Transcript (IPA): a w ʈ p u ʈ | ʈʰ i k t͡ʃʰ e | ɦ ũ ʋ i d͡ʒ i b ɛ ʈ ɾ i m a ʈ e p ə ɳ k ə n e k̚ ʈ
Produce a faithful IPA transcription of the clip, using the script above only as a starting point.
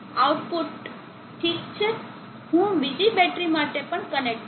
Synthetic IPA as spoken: a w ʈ p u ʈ | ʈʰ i k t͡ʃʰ e | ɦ ũ ʋ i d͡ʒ i b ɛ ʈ ɾ i m a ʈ e p ə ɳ k ə n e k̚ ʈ

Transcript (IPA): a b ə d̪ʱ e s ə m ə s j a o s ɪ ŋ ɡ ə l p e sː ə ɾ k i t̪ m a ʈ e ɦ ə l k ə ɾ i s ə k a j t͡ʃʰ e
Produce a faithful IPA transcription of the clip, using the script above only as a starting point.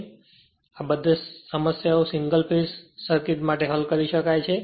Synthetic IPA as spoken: a b ə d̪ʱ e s ə m ə s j a o s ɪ ŋ ɡ ə l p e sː ə ɾ k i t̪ m a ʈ e ɦ ə l k ə ɾ i ʃ ə k a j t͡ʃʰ e

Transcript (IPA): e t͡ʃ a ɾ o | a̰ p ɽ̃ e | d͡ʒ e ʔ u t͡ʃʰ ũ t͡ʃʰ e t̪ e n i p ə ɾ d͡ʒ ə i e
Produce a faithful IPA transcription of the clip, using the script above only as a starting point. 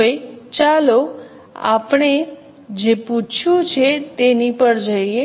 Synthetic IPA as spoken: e t͡ʃ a l o | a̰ p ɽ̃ e | d͡ʒ e p u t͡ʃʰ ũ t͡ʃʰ e t̪ e n i p ə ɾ d͡ʒ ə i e

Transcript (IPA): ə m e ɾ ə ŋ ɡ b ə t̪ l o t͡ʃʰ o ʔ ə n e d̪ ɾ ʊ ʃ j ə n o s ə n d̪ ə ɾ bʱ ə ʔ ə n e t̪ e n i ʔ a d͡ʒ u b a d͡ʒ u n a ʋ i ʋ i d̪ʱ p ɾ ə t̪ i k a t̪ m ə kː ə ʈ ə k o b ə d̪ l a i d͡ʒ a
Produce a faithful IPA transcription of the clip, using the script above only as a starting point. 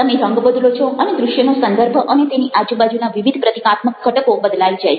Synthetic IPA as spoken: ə m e ɾ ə ŋ ɡ b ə d̪ l o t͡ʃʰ o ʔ ə n e d̪ ɾ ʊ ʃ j ə n o s ə n d̪ ə ɾ bʱ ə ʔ ə n e t̪ e n i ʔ a d͡ʒ u b a d͡ʒ u n a ʋ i ʋ i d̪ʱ p ɾ ə t̪ i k a t̪ m ə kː ə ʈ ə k o b ə d̪ l a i d͡ʒ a

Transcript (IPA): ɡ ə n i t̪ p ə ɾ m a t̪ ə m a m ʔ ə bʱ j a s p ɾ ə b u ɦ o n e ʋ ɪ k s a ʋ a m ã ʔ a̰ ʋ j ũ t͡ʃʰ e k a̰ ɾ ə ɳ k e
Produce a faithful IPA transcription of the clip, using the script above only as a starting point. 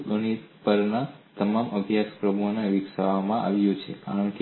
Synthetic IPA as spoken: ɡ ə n i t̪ p ə ɾ n a t̪ ə m a m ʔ ə bʱ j a s p ɾ ə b u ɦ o n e ʋ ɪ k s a ʋ a m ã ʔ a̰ ʋ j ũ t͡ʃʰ e k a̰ ɾ ə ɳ k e

